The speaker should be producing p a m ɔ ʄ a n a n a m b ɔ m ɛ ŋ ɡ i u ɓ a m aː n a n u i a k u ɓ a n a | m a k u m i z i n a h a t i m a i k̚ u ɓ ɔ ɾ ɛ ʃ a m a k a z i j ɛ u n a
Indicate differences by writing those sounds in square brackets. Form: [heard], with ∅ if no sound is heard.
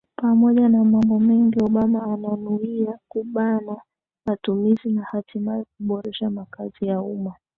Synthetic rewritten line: p a m ɔ ʄ a n a [m] a m b ɔ m ɛ ŋ ɡ i [ɔ] ɓ a m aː n a n u i a k u ɓ a n a | m a [t] u m i z i n a h a t i m a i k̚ u ɓ ɔ ɾ ɛ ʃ a m a k a z i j [a] u [m] a